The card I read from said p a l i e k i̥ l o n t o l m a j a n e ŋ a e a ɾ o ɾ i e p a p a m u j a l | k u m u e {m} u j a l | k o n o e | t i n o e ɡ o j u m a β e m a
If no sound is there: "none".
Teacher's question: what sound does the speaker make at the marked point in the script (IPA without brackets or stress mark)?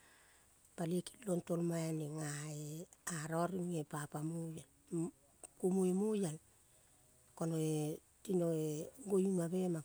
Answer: m